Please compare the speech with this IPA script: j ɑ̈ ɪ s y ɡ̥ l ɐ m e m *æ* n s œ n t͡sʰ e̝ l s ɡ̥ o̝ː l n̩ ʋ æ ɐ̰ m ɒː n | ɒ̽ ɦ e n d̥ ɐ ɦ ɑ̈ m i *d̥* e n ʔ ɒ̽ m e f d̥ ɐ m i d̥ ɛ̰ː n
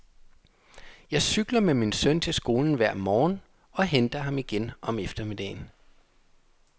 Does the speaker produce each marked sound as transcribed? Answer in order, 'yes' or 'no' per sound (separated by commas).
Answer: no, no